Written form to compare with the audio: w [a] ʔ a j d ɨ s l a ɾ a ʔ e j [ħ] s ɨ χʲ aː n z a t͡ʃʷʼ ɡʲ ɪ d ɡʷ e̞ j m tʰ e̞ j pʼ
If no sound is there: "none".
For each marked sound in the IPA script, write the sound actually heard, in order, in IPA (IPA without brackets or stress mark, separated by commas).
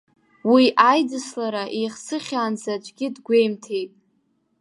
i, χ